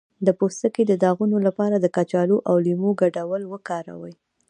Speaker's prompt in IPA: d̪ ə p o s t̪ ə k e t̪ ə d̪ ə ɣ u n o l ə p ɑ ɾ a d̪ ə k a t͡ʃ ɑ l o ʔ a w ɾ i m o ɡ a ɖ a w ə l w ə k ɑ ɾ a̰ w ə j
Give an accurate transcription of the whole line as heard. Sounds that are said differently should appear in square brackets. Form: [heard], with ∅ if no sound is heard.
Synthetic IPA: d̪ ə p o s t̪ ə k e [d̪] ə d̪ [ɑ] ɣ u n o l [a] p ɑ ɾ a d̪ ə k a t͡ʃ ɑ l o ʔ a w [l] i m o ɡ a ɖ a w ə l w ə k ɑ ɾ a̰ w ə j